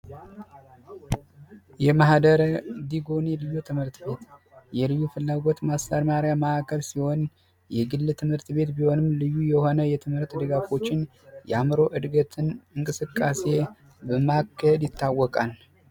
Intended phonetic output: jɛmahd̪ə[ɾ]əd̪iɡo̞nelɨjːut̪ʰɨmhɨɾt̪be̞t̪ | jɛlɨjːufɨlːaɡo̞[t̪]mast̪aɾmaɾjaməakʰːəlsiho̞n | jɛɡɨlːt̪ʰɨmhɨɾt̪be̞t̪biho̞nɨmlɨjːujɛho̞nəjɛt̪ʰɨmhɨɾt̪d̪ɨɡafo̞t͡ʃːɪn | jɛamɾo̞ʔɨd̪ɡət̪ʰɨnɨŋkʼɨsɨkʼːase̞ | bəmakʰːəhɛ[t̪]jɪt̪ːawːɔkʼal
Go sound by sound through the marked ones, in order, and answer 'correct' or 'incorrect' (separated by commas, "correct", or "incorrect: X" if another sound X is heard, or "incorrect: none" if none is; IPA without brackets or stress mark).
correct, correct, incorrect: d̪